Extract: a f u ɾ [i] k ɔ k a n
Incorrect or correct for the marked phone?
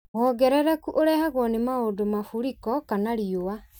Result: correct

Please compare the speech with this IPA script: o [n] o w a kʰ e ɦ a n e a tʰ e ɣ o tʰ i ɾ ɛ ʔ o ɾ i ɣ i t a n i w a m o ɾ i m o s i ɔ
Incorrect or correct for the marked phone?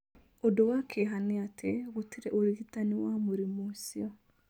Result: incorrect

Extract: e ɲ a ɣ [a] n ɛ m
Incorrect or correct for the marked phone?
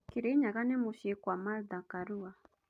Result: correct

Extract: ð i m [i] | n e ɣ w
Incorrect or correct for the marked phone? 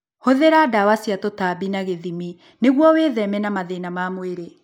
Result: correct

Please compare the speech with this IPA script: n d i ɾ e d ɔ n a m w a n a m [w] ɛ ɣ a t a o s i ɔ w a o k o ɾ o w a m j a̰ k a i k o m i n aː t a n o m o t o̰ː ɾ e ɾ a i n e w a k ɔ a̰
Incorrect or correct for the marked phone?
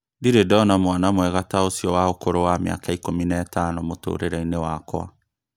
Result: correct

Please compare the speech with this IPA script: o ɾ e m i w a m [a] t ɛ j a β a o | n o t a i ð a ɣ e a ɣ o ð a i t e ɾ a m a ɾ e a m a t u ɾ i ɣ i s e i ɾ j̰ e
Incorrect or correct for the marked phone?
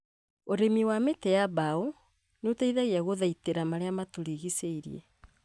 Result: incorrect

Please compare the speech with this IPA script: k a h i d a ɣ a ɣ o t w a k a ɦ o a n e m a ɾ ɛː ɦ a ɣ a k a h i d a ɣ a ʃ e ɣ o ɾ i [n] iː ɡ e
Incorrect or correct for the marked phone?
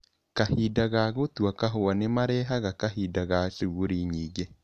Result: incorrect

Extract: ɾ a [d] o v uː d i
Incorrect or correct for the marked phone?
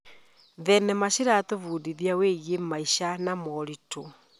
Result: incorrect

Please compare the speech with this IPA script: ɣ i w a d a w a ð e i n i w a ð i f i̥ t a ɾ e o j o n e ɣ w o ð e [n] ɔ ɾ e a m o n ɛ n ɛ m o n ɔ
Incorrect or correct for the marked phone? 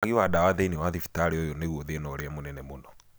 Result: correct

